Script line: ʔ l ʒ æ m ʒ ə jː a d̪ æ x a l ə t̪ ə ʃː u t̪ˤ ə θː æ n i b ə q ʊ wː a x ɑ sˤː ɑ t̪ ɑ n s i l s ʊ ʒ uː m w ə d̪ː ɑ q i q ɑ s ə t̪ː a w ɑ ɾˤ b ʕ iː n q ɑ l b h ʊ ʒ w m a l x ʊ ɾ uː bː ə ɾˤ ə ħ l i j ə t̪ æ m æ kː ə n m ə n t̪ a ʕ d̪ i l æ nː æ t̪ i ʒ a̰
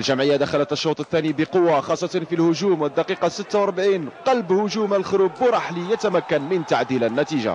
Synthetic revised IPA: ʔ l ʒ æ m ʕ ə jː a d̪ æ x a l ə t̪ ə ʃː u t̪ˤ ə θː æ n i b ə q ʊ wː a x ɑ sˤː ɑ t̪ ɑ n f i l h ʊ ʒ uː m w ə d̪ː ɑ q i q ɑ s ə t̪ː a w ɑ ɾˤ b ʕ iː n q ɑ l b h ʊ ʒ u m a l x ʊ ɾ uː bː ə ɾˤ ɑ ħ l i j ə t̪ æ m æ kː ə n m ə n t̪ a ʕ d̪ i l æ nː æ t̪ i ʒ a̰